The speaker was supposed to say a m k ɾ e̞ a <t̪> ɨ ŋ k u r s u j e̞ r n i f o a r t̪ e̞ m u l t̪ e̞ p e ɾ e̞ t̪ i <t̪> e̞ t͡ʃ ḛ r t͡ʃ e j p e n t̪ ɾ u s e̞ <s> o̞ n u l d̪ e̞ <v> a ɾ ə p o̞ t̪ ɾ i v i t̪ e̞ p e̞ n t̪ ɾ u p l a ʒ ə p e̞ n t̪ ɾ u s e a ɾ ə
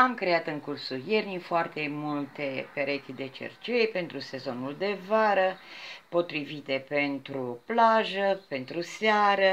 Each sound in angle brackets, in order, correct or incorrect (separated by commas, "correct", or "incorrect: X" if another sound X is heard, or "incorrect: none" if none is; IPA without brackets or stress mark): correct, incorrect: d̪, incorrect: z, correct